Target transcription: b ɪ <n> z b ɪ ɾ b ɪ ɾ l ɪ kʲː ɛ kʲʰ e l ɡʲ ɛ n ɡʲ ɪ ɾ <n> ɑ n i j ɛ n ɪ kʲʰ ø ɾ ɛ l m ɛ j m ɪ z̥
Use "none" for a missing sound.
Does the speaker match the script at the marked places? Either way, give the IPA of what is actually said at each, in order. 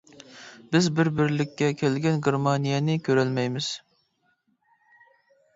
none, m

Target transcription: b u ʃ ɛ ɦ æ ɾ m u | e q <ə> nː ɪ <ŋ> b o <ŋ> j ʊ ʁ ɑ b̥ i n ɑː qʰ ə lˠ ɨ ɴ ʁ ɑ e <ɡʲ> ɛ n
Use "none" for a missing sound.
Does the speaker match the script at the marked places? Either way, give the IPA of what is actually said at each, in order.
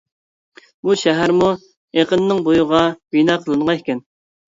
ə, ŋ, none, kʲ

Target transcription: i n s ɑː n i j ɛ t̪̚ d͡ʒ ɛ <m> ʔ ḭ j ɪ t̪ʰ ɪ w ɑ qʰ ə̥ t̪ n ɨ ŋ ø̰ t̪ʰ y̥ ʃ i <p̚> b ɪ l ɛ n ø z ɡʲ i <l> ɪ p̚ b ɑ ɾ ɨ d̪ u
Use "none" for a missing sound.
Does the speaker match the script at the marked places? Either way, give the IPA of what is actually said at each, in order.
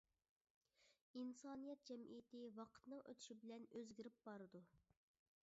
m, none, ɾ

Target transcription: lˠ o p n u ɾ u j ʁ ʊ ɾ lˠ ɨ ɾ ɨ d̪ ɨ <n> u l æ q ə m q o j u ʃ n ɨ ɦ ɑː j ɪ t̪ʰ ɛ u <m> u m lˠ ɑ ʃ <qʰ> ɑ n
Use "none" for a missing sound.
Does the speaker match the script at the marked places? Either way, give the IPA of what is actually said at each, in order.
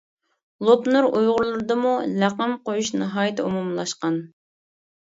m, m, q

